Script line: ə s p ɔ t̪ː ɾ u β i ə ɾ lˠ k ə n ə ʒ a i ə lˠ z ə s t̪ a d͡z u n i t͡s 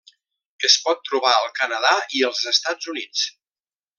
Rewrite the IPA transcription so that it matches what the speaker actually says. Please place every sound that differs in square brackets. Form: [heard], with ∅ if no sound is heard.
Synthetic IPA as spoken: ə s p ɔ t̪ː ɾ u β [a] ə [∅] lˠ k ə n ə [ð] a i ə lˠ z ə s t̪ a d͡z u n i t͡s